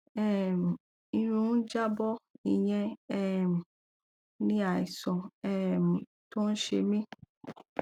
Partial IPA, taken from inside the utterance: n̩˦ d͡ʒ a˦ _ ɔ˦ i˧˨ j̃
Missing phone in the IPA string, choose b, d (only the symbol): b